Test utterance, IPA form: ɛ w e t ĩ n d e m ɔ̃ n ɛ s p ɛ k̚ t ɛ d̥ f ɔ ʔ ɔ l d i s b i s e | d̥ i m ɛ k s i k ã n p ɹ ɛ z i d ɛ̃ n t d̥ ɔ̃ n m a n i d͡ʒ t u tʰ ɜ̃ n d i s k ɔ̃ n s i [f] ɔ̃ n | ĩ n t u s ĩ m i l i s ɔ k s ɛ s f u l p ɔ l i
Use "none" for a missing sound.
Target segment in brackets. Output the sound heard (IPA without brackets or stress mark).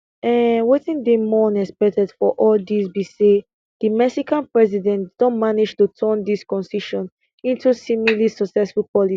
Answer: ʃ